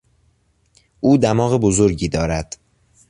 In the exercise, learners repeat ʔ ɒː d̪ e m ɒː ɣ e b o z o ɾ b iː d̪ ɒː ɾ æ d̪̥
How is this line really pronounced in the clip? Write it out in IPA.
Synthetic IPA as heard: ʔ uː d̪ æ m ɒː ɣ e b o z o ɾ ɟ iː d̪ ɒː ɾ æ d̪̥